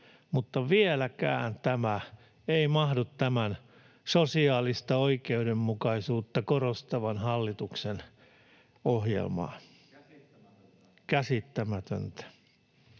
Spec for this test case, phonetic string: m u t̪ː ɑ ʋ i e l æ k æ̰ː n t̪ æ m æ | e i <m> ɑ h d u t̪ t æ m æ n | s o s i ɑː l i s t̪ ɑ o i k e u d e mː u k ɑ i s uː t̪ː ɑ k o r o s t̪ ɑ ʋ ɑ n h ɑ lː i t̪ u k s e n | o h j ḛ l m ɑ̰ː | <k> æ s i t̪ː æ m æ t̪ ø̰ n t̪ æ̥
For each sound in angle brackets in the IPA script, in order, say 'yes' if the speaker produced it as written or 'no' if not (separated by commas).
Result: yes, yes